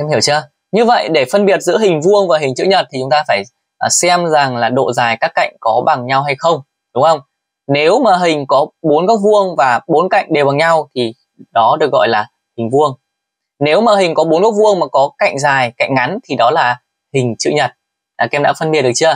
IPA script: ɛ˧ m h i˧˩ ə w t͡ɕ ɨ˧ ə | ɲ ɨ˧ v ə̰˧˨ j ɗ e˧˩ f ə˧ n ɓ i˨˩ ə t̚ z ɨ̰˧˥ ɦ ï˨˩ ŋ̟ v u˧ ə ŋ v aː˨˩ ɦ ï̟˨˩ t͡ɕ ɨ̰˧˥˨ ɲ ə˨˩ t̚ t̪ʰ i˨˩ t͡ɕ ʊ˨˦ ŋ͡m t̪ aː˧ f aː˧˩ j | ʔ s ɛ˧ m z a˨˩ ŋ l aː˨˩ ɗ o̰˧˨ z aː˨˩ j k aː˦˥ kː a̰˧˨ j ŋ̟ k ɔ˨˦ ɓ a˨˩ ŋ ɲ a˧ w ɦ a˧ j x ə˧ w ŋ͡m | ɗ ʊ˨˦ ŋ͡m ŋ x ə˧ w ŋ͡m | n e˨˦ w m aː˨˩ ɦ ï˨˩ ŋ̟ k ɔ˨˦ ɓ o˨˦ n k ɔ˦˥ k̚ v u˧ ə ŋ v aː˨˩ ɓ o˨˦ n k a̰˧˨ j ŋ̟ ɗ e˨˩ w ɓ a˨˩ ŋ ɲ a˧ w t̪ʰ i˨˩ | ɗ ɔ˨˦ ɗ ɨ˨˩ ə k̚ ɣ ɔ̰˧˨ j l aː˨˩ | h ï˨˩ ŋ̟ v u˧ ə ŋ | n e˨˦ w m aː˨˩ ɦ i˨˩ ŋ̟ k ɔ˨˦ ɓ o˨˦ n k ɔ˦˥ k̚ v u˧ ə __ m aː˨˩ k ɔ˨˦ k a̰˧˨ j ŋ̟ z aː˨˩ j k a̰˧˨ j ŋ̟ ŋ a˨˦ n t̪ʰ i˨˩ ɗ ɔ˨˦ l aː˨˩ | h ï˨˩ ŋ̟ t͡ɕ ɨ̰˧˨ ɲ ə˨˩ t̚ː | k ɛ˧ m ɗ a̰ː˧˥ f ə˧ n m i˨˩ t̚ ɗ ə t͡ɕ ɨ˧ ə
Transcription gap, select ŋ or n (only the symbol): ŋ